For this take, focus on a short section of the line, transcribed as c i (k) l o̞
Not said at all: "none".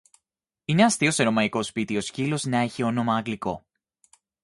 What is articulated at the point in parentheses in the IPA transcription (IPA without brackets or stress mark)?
none